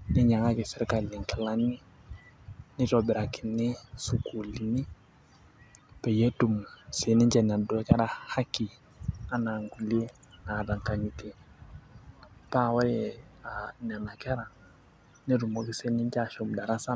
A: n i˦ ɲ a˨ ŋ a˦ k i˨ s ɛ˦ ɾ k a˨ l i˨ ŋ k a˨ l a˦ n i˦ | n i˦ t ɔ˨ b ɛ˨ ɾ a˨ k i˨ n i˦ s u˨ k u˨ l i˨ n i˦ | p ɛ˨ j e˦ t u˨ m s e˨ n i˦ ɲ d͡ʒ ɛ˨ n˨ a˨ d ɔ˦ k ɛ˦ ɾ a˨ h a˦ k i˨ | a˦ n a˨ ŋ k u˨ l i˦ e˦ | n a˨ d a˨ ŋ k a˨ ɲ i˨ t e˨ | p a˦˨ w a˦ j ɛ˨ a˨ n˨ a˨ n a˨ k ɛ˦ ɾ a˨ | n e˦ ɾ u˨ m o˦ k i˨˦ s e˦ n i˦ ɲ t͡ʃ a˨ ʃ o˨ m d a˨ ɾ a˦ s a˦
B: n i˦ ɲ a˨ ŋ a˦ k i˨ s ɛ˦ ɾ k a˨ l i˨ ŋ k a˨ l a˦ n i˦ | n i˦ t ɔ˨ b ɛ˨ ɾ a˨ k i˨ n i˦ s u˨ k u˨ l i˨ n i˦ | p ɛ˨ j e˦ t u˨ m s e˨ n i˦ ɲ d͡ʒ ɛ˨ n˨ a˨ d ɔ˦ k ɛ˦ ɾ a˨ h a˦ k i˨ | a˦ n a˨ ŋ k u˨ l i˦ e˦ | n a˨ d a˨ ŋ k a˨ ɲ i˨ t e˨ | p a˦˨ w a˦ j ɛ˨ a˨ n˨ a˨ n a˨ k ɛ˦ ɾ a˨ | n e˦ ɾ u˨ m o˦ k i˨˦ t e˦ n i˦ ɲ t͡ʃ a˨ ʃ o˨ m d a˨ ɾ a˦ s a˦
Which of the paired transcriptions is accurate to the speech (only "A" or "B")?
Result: A